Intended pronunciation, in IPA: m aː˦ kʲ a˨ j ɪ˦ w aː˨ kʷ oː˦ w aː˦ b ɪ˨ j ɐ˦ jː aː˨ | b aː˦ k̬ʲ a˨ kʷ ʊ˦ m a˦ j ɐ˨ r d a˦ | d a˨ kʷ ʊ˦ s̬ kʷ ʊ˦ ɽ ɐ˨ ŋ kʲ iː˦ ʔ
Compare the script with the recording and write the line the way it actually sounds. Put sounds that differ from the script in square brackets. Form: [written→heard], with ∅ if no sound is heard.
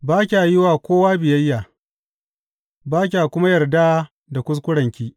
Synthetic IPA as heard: [m→b] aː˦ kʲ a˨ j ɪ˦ w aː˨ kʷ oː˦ w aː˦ b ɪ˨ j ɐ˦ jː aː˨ | b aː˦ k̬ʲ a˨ kʷ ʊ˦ m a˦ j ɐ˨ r d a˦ | d a˨ kʷ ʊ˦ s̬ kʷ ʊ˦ ɽ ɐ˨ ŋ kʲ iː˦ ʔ